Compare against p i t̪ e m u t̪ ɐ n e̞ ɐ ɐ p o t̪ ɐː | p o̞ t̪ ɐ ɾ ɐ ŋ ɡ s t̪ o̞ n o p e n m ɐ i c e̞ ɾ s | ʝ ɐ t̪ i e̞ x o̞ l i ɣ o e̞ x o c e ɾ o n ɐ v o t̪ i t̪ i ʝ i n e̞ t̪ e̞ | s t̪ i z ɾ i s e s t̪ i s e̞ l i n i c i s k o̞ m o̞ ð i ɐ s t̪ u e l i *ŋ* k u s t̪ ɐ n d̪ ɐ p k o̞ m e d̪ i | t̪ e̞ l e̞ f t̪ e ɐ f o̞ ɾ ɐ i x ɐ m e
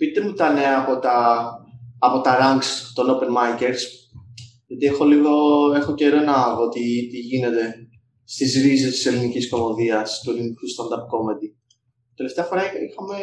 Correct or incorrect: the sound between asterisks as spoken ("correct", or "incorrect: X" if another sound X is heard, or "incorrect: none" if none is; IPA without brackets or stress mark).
incorrect: n